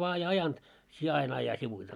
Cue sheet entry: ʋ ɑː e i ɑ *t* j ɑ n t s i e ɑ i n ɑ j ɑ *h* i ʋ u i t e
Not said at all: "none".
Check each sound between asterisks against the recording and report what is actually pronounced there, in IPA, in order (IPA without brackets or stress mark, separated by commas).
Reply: none, s